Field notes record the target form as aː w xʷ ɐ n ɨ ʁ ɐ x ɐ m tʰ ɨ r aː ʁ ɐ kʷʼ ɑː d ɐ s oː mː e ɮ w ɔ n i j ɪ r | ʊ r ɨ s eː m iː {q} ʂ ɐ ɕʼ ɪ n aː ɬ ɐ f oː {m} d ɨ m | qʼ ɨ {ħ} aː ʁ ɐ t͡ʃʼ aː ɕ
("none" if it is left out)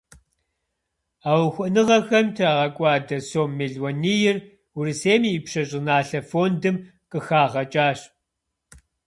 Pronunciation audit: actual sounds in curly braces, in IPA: p, n, x

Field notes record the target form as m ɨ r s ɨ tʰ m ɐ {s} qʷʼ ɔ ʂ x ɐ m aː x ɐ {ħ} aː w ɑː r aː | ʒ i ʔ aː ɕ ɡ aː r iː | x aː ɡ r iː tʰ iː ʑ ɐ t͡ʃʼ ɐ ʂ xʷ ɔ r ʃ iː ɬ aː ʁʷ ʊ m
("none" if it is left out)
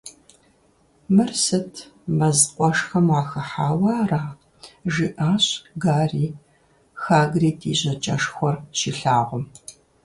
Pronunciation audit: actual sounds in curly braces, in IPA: z, ħ

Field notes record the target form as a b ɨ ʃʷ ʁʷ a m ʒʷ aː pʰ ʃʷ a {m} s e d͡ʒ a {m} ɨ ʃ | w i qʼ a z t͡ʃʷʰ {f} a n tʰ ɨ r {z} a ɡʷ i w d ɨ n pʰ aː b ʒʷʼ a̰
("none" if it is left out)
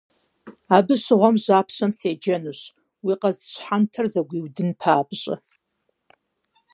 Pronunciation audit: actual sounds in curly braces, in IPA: m, n, ħ, z

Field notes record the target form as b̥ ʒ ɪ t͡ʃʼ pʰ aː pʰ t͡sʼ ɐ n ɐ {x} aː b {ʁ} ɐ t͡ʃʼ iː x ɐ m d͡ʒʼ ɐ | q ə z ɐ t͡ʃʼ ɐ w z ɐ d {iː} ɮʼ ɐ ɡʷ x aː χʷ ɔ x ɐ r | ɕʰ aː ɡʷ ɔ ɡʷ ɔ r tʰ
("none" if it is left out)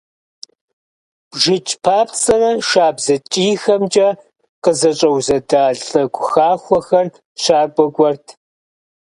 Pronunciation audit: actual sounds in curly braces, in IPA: ʃ, z, aː

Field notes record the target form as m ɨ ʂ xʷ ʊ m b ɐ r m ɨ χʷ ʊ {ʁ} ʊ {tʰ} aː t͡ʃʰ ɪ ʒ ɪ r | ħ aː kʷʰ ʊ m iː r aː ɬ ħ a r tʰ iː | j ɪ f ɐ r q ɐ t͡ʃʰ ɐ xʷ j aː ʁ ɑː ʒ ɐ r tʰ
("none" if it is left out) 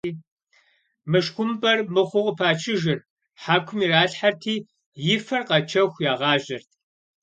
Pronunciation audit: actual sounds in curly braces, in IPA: ʁ, pʰ

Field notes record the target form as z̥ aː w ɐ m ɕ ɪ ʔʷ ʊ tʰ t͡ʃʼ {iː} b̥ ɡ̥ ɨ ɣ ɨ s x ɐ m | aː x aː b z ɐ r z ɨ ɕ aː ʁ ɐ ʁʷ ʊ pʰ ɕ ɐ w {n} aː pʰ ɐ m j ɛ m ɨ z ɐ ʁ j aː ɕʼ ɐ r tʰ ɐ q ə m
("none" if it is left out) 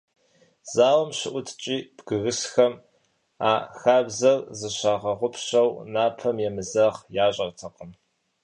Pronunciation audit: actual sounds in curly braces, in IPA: iː, n

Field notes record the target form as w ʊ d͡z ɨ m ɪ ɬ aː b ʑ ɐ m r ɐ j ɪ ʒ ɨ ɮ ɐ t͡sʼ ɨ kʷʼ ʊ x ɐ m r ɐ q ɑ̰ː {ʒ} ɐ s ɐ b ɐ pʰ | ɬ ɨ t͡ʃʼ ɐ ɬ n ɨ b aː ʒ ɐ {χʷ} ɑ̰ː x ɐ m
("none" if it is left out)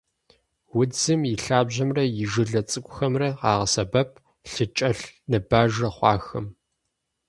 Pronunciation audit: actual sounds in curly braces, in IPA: ʁ, χʷ

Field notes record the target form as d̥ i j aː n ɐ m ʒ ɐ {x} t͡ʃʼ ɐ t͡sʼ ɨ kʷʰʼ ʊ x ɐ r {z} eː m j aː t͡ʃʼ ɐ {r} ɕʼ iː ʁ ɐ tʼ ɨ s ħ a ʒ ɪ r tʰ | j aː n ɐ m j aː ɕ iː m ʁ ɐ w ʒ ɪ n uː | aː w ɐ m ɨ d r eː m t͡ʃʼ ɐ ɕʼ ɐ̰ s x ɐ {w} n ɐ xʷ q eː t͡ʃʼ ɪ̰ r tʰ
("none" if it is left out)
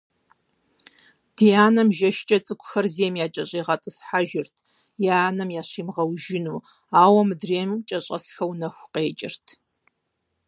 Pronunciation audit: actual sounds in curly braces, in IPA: ʃ, z, none, w

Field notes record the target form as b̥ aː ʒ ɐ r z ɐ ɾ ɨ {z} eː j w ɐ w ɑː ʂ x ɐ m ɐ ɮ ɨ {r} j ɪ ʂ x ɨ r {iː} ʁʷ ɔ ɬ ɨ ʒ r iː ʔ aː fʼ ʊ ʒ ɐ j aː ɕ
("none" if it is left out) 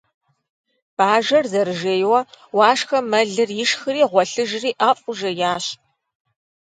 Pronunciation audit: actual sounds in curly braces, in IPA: ʒ, r, iː

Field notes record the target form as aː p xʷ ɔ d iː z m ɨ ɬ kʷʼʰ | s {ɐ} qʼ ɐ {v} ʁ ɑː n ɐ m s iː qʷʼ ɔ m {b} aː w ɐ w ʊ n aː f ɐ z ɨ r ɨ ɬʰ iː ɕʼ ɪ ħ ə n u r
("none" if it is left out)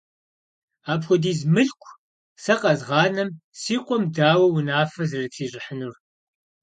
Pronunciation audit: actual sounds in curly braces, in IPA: ɐ, z, d

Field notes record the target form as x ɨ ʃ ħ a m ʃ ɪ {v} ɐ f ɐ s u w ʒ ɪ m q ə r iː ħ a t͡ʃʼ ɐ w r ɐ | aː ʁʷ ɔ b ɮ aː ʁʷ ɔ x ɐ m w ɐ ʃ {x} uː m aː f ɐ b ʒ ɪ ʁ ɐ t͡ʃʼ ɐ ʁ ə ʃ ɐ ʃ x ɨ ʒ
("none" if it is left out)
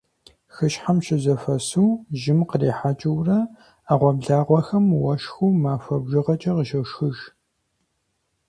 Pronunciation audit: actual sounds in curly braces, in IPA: z, x

